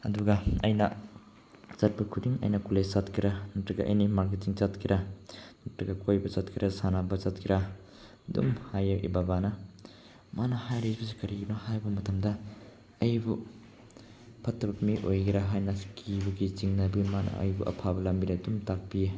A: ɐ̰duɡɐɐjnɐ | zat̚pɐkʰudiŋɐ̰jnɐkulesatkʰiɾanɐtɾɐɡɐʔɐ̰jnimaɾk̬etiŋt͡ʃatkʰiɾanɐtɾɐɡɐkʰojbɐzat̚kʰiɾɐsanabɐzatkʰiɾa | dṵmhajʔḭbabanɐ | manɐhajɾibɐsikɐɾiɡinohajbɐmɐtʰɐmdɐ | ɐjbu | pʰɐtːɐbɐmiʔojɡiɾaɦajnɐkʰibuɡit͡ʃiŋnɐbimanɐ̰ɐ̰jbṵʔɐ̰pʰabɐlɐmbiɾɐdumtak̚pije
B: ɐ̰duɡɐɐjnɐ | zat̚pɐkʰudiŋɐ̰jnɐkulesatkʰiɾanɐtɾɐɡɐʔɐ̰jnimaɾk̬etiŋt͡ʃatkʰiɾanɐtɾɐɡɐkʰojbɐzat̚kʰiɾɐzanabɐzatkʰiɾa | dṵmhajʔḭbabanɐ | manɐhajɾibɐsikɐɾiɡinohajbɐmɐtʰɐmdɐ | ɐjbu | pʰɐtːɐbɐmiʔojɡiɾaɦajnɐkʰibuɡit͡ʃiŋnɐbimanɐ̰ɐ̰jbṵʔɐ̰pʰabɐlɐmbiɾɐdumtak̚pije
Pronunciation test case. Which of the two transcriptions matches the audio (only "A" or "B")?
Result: A